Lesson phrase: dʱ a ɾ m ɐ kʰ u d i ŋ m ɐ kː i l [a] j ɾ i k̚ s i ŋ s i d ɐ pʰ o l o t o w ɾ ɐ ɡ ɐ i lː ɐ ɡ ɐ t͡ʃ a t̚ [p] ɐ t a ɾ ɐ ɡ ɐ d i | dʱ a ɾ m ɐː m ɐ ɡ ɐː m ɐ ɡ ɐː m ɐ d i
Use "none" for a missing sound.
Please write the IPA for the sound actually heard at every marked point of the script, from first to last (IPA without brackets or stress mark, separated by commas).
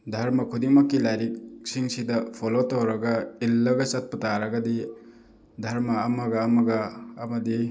a, p